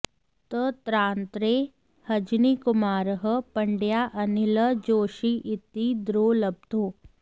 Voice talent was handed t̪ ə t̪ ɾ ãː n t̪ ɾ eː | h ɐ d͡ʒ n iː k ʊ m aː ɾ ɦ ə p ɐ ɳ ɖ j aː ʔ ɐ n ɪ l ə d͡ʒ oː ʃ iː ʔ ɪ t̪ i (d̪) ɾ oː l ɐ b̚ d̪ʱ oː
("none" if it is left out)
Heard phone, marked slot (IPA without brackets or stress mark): d̪